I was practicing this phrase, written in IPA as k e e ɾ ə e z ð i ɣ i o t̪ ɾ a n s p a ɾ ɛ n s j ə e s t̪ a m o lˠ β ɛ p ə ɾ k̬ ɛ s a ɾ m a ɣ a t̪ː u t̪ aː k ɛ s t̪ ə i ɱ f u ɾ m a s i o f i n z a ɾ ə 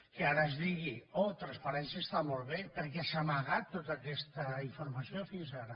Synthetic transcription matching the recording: k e a ɾ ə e z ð i ɣ i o t̪ ɾ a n s p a ɾ ɛ n s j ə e s t̪ a m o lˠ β e p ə ɾ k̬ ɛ s a m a ɣ a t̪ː o t̪ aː k ɛ s t̪ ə i ɱ f u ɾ m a s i o f i n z a ɾ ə

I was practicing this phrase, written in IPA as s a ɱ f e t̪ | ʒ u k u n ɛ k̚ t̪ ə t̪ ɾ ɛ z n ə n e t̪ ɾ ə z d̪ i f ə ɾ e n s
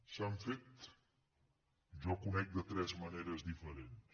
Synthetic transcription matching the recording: s a ɱ f e t̪ | ʒ ɔ k u n ɛ k̚ d̪ ə t̪ ɾ ɛ z m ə n e ɾ ə z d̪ i f ə ɾ e n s

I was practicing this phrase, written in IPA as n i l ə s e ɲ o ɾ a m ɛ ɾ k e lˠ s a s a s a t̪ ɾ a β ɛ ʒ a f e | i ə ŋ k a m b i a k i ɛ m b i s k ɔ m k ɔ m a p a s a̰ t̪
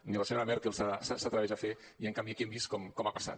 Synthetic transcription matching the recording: n i l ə s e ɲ o ɾ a m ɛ ɾ k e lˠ s a s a s a t̪ ɾ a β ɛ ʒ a f e | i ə ŋ k a m b i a k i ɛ m b i s k ɔ m k ɔ m a p a s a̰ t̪

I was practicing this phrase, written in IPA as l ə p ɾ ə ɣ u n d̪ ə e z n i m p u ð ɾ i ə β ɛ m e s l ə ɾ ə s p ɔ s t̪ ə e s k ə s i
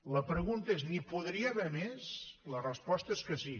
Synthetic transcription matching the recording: l ə p ɾ ə ɣ u n t̪ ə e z n i p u ð ɾ i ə β ɛ m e s l ə r ə s p ɔ s t̪ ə e s k ə s i

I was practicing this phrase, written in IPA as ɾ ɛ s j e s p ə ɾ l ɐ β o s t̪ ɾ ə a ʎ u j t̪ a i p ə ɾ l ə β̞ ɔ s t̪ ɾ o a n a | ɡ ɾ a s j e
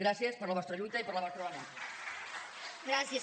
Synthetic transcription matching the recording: ɾ a s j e s p ə ɾ l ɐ β ɔ s t̪ ɾ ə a ʎ u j t̪ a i p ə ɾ l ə β̞ ɔ s t̪ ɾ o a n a | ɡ ɾ a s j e

